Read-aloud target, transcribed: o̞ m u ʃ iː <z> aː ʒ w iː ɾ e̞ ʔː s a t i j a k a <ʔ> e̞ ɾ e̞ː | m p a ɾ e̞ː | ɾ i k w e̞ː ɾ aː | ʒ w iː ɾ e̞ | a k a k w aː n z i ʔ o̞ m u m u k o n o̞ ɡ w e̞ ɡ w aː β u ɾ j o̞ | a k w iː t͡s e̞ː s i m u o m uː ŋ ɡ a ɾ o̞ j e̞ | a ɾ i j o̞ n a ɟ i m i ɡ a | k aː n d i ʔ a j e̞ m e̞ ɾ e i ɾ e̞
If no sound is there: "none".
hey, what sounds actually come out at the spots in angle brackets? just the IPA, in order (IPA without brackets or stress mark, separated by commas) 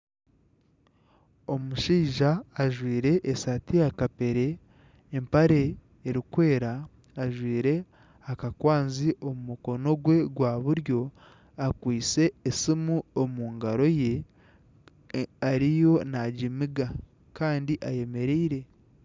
ʒ, p